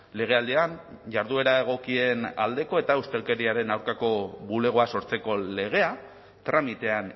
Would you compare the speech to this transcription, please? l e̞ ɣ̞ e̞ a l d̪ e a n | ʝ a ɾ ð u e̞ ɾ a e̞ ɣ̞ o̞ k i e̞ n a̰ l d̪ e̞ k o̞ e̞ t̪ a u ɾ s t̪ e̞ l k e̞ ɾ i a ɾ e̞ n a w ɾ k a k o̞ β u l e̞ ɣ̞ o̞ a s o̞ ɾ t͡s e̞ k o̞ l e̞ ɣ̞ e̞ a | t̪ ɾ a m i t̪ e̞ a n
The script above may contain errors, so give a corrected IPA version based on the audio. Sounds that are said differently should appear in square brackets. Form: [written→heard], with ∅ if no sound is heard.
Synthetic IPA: l e̞ ɣ̞ e̞ a l d̪ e a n | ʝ a ɾ ð u e̞ ɾ a e̞ ɣ̞ o̞ k i e̞ n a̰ l d̪ e̞ k o̞ e̞ t̪ a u [ɾ→∅] s t̪ e̞ l k e̞ ɾ i a ɾ e̞ n a w ɾ k a k o̞ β u l e̞ ɣ̞ o̞ a s o̞ ɾ t͡s e̞ k o̞ l e̞ ɣ̞ e̞ a | t̪ ɾ a m i t̪ e̞ a n